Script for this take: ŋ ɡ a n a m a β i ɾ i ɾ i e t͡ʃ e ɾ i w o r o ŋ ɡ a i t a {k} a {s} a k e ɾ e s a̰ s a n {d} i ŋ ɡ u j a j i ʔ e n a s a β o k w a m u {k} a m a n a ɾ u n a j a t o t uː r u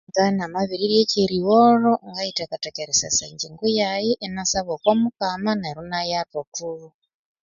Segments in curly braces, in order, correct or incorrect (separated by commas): correct, incorrect, incorrect, correct